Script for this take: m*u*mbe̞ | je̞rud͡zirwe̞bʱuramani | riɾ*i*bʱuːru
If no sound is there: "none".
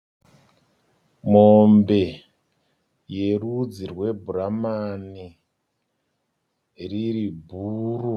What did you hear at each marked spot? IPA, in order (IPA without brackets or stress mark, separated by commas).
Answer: o, i